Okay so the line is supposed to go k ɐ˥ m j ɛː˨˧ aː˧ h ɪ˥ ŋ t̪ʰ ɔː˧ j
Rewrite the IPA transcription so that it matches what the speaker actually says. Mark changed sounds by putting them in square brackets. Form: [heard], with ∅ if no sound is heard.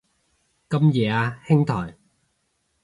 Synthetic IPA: k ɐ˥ m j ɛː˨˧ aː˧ h ɪ˥ ŋ t̪ʰ [ɔː˨˩] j